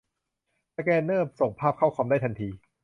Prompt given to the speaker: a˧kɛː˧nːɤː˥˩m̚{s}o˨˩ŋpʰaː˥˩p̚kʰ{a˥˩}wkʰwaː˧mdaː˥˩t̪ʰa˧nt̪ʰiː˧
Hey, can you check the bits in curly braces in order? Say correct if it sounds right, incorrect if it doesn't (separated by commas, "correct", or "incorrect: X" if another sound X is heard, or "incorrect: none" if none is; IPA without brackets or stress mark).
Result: correct, correct